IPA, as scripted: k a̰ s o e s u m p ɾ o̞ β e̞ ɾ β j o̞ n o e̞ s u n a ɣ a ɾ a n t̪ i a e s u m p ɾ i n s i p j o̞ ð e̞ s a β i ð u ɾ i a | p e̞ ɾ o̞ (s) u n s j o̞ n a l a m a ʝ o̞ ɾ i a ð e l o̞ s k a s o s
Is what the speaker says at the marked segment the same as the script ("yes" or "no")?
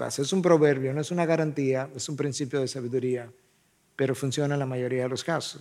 no